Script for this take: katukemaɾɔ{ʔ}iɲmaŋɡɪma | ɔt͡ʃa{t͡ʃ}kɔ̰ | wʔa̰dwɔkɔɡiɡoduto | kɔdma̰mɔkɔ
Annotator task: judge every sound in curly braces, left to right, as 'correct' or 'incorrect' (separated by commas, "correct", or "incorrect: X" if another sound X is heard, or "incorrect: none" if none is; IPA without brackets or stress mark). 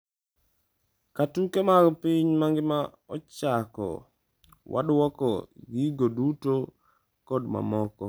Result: incorrect: p, incorrect: none